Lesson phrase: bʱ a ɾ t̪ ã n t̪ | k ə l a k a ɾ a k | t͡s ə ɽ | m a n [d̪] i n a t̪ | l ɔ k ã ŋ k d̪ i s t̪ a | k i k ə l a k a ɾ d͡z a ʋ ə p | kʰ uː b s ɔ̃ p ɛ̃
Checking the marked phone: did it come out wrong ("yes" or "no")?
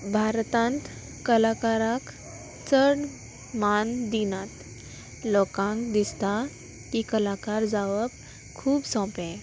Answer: no